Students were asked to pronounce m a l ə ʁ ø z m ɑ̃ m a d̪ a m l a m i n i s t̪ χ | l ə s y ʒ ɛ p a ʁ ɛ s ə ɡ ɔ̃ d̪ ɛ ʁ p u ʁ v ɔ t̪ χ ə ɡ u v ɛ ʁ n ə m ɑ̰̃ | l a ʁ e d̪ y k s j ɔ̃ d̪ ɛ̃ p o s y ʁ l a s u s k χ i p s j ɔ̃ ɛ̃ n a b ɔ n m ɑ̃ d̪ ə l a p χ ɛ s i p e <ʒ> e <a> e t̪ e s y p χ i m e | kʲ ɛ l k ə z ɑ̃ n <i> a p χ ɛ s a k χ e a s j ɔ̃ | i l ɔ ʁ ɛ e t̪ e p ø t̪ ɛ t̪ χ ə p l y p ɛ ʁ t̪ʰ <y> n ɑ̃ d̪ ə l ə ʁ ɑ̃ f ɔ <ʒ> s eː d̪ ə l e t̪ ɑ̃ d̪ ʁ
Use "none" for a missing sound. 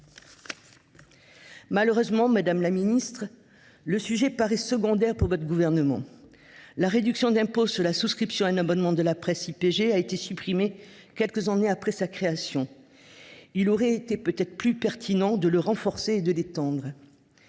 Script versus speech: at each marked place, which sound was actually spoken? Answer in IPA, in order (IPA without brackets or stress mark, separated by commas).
ʒ, a, e, i, ʁ